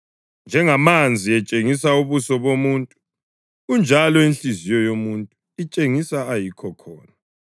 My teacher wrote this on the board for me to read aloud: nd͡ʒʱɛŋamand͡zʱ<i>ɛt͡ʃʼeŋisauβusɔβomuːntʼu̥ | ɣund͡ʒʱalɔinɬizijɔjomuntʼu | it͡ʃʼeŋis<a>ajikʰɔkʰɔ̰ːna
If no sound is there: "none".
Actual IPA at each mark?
i, a

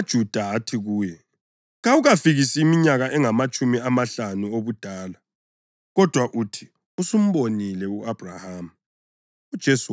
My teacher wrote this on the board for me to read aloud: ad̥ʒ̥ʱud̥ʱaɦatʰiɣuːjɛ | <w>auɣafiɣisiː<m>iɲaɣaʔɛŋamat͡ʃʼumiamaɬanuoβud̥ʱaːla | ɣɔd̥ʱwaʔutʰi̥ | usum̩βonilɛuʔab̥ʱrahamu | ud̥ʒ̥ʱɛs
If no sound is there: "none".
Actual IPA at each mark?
ɣ, m

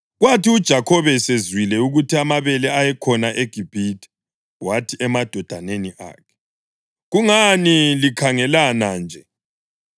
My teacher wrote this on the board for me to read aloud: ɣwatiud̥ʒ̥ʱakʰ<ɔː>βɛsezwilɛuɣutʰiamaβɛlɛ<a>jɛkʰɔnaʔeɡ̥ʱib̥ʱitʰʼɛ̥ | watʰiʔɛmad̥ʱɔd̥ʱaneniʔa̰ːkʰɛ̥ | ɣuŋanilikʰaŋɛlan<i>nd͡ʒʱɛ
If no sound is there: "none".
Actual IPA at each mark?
ɔ, a, a

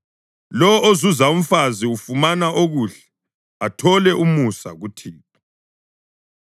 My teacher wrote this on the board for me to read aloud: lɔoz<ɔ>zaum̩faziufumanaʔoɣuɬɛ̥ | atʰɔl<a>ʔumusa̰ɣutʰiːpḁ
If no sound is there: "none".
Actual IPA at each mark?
u, ɛ

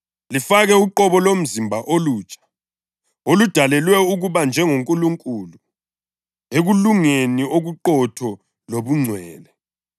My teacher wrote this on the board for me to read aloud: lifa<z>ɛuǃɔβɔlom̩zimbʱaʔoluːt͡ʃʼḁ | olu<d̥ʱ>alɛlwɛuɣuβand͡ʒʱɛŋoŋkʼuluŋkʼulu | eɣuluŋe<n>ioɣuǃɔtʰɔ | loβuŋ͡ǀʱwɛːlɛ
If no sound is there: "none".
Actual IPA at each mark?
ɣ, d̥ʱ, n

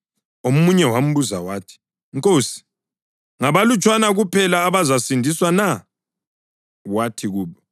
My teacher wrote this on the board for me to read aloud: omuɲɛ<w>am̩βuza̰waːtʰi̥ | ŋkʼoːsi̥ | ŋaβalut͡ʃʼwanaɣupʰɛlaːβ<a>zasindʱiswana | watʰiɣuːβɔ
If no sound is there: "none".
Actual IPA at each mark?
w, a

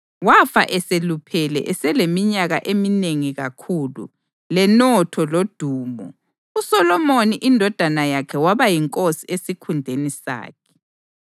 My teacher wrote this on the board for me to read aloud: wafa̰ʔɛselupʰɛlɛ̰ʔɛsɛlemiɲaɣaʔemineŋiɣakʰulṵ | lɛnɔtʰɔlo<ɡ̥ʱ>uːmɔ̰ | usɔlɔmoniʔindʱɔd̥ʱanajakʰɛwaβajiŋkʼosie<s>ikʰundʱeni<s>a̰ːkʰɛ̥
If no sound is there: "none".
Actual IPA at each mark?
d̥ʱ, s, s

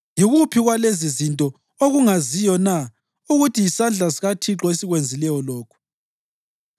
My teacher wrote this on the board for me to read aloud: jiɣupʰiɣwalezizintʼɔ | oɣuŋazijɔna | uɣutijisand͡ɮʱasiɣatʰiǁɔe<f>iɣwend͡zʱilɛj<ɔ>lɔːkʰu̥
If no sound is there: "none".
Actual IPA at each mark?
s, ɔ

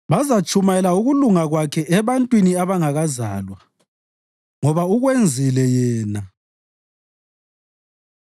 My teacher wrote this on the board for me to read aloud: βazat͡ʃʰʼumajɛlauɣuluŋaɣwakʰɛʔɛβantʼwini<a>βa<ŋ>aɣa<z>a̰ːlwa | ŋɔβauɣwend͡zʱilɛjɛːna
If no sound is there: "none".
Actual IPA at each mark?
a, ŋ, z

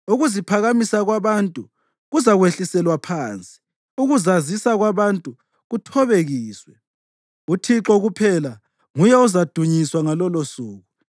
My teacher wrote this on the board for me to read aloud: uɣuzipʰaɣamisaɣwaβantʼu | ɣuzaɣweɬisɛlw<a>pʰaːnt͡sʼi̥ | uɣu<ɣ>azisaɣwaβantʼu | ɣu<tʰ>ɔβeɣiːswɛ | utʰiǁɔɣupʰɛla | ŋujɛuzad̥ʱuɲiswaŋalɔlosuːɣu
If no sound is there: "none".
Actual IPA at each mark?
a, z, tʰ

